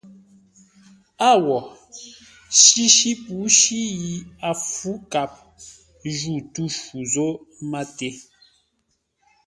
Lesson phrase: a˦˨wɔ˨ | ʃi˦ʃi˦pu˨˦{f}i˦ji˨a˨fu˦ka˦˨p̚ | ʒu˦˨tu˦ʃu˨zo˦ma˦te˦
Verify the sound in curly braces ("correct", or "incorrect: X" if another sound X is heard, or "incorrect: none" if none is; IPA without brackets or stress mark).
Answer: incorrect: ʃ